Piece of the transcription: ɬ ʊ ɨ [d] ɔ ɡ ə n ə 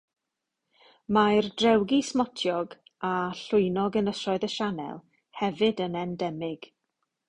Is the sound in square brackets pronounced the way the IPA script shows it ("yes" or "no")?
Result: no